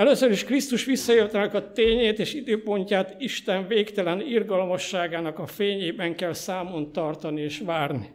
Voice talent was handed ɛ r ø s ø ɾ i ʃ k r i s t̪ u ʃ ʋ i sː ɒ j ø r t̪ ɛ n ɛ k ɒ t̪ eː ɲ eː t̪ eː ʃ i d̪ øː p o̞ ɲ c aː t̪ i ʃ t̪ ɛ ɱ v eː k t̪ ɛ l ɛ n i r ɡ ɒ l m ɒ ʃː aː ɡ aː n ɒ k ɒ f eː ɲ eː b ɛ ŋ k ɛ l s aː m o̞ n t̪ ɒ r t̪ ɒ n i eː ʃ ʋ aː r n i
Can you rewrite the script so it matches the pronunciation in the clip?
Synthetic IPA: ɛ l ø s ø ɾ i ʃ k r i s t̪ u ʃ ʋ i sː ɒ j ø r t̪ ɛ n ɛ k ɒ t̪ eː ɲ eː t̪ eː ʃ i d̪ øː p o̞ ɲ c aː t̪ i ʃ t̪ ɛ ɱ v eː k t̪ ɛ l ɛ n i r ɡ ɒ l m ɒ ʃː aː ɡ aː n ɒ k ɒ f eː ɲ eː b ɛ ŋ k ɛ l s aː m o̞ n t̪ ɒ r t̪ ɒ n i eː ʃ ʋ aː r n i